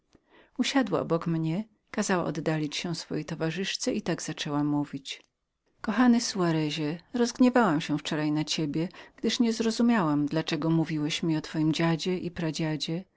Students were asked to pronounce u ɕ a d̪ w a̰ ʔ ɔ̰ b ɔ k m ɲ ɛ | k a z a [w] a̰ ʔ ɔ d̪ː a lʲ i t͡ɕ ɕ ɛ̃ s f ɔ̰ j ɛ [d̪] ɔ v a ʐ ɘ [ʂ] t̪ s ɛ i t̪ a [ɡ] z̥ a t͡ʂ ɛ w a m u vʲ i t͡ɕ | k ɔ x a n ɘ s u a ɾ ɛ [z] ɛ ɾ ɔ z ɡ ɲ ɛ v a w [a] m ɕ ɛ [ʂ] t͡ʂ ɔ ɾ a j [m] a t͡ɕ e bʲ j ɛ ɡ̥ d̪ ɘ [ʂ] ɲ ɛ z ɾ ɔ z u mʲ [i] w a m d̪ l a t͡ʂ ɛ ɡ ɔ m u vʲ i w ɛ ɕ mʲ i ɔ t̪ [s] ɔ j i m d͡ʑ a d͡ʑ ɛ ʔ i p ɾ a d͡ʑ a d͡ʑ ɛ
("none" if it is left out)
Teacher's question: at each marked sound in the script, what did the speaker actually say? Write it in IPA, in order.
w, t̪, ʂ, ɡ, ʑ, a, f, n, ʂ, a, f

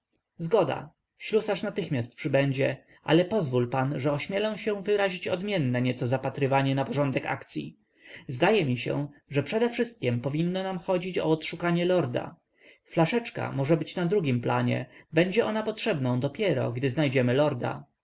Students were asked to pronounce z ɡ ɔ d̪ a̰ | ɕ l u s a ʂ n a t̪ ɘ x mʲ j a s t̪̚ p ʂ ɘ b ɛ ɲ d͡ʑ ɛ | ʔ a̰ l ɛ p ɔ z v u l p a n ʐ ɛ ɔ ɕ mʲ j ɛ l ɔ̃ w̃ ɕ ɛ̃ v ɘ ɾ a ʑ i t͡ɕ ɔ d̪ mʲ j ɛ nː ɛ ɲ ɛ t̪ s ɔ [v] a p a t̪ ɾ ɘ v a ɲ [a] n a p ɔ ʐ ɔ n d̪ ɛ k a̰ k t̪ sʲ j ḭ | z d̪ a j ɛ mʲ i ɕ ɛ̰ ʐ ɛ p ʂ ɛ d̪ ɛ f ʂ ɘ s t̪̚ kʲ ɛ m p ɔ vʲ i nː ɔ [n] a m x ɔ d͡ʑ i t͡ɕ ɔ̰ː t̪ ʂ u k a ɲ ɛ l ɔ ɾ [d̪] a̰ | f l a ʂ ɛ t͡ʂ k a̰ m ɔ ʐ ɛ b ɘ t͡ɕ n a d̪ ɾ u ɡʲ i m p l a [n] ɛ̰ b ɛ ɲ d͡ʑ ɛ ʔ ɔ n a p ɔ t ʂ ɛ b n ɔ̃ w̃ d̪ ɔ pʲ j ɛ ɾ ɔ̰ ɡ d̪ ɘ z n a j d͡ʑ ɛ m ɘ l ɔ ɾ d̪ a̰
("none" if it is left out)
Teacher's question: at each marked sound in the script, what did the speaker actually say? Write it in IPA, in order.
z, ɛ, n, d̪, ɲ

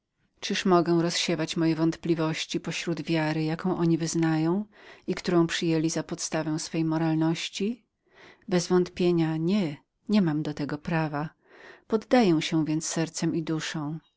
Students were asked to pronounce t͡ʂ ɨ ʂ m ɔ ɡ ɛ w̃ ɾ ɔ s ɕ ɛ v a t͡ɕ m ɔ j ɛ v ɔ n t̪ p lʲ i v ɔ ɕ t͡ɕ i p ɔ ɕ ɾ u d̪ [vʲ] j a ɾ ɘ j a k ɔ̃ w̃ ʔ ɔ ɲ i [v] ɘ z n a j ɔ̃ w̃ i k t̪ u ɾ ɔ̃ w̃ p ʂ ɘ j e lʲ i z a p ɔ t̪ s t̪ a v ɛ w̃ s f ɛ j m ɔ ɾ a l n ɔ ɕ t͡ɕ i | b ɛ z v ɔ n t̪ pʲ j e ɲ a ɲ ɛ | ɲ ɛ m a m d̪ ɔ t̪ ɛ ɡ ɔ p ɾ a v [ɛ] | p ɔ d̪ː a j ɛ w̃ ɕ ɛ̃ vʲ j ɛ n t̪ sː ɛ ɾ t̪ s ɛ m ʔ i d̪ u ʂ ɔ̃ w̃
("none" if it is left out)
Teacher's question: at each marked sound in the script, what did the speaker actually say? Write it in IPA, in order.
vʲ, v, a

